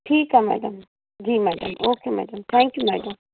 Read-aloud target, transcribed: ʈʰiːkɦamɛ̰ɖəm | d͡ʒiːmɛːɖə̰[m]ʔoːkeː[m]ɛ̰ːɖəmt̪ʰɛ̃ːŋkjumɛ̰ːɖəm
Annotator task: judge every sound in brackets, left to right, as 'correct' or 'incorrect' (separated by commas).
correct, correct